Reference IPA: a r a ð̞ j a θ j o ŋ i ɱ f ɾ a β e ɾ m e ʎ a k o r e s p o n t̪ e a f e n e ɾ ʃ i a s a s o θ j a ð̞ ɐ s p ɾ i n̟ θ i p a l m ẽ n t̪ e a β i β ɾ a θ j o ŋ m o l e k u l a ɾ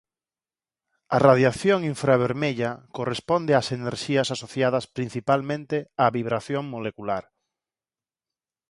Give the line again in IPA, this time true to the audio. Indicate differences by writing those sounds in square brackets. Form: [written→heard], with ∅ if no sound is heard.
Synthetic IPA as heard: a r a ð̞ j a θ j o ŋ i ɱ f ɾ a β e ɾ m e ʎ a k o r e s p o n [t̪→d̪] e a [f→s] e n e ɾ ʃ i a s a s o θ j a ð̞ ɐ s p ɾ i n̟ θ i p a l m ẽ n t̪ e a β i β ɾ a θ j o ŋ m o l e k u l a ɾ